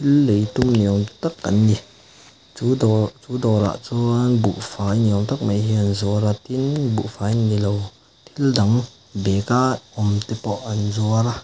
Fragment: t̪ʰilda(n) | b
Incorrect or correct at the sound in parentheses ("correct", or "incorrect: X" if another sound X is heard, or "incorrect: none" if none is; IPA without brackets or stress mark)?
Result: incorrect: ŋ